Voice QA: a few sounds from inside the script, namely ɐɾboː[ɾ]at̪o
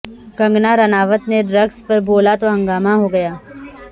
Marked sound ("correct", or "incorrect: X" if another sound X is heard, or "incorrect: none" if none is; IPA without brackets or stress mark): incorrect: l